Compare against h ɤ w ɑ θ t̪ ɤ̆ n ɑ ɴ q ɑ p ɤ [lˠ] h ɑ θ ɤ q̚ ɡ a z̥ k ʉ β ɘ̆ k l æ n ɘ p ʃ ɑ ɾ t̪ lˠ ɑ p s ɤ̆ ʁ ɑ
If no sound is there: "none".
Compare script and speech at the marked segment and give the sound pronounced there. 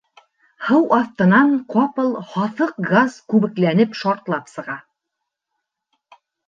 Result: lˠ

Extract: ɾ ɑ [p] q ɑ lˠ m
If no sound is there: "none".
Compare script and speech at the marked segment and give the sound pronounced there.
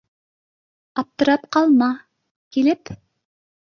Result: p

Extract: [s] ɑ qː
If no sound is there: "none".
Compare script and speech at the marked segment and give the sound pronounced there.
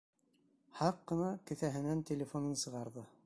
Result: h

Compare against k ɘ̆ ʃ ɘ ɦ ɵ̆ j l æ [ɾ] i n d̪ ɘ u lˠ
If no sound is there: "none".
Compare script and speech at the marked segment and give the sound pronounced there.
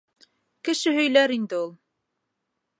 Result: ɾ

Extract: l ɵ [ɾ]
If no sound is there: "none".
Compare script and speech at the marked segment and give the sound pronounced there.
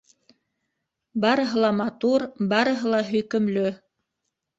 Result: none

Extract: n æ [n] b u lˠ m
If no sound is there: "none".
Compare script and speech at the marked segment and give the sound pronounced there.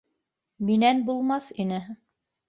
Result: n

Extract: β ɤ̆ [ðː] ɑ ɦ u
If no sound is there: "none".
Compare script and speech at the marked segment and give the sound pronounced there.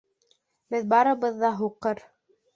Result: ðː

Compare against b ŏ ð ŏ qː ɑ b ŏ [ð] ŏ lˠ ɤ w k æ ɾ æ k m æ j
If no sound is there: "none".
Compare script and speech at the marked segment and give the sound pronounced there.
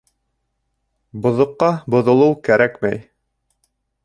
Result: ð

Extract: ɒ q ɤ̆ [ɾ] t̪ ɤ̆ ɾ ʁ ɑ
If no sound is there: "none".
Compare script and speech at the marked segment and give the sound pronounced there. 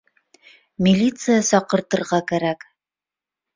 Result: ɾ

